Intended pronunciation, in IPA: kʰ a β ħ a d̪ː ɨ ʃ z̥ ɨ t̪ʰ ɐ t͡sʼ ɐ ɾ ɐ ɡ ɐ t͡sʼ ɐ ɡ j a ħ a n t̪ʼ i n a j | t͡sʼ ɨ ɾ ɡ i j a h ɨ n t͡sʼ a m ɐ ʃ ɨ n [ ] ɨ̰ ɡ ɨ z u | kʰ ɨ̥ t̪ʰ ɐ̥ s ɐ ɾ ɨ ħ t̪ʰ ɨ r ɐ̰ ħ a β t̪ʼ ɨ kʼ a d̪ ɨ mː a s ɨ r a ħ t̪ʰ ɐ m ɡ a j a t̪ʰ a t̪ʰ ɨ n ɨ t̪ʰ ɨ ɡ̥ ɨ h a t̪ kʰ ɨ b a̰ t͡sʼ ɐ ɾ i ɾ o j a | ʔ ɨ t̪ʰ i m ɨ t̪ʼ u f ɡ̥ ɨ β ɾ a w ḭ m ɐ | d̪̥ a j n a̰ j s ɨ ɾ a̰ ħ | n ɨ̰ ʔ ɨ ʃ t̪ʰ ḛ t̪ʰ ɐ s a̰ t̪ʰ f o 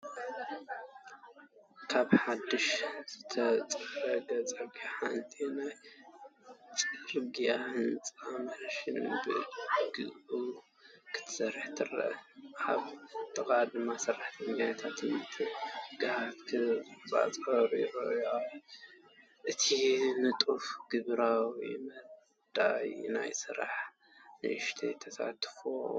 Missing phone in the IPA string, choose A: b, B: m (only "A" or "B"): A